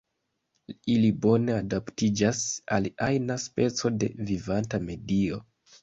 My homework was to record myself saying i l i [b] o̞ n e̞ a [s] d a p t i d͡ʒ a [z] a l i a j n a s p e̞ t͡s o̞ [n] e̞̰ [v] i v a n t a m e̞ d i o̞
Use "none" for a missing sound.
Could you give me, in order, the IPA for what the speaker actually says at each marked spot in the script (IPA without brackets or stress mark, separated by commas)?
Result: b, none, s, d, v